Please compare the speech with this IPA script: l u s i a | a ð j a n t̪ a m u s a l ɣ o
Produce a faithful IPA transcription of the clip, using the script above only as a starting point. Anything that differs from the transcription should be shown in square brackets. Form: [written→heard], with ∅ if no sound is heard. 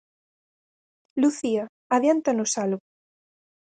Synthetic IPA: l u [s→θ] i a | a ð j a n t̪ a [m→n] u s a l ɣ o